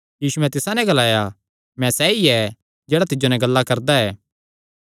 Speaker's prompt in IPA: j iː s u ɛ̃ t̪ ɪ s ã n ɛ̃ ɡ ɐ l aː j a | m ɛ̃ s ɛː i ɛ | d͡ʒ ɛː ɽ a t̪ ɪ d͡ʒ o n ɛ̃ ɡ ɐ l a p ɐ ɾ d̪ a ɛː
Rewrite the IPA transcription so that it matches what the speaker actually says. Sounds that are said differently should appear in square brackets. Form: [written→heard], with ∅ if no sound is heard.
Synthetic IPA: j iː s u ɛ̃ t̪ ɪ s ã n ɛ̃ ɡ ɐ l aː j a | m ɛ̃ s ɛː i ɛ | d͡ʒ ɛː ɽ a t̪ ɪ d͡ʒ o n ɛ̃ ɡ ɐ [l→lː] a [p→k] ɐ ɾ d̪ a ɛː

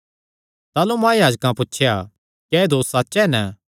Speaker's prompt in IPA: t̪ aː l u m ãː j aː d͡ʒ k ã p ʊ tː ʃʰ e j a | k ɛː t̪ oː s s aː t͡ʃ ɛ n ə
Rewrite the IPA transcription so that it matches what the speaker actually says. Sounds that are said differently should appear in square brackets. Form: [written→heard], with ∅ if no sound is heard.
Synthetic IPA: t̪ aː l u m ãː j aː d͡ʒ k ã p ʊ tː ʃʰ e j a | k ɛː [t̪→d̪] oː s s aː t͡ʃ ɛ n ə

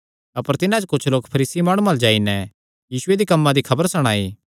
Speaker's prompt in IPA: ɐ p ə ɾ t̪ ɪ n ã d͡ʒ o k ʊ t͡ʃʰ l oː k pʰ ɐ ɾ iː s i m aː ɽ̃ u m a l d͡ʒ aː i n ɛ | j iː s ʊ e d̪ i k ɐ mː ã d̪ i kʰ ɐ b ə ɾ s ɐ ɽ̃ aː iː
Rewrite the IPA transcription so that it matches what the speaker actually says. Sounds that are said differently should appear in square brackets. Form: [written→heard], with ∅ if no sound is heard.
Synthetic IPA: ɐ p ə ɾ t̪ ɪ n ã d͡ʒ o k ʊ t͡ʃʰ l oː k pʰ ɐ ɾ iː s i m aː ɽ̃ u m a l d͡ʒ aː i n ɛ | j iː s ʊ e d̪ i k ɐ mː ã d̪ i kʰ ɐ b ə ɾ s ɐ ɽ̃ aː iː

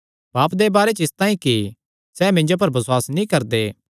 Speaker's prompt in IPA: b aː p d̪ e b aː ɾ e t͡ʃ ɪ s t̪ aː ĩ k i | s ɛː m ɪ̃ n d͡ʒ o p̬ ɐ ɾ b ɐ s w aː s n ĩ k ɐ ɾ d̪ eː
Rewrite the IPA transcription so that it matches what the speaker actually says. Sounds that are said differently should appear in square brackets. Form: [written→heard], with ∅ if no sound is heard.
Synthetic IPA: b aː p d̪ e b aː ɾ e t͡ʃ ɪ s t̪ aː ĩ k i | s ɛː m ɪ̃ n d͡ʒ o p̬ ɐ ɾ b ɐ s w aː s n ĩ k ɐ ɾ d̪ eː

